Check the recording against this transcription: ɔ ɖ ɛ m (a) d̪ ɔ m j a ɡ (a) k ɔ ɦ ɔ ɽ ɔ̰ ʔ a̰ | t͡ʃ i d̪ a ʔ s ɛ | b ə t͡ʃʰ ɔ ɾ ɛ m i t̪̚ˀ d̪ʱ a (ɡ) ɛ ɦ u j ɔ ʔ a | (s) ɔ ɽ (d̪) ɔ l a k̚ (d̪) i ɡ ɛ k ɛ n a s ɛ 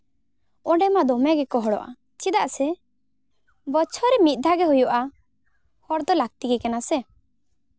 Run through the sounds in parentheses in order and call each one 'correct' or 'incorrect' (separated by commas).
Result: correct, incorrect, correct, incorrect, correct, incorrect